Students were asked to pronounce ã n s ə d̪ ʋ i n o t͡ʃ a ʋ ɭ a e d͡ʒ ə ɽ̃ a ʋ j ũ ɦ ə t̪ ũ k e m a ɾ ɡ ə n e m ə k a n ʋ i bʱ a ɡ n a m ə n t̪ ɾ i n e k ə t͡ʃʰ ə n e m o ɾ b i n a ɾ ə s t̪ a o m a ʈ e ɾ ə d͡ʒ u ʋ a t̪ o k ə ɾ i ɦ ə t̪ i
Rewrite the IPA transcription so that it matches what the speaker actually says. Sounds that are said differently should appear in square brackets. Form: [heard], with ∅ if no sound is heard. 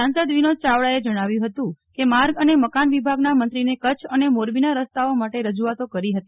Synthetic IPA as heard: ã n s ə d̪ ʋ i n o t͡ʃ a ʋ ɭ a e d͡ʒ ə ɽ̃ a ʋ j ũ ɦ ə t̪ ũ k e m a ɾ ɡ ə n e m ə k a n ʋ i bʱ a ɡ n a m ə n t̪ ɾ i n e k ə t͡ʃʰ ə n e m o ɾ b i n a ɾ ə s t̪ a o m a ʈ e ɾ ə d͡ʒ u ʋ a t̪ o k ə ɾ i ɦ ə t̪ i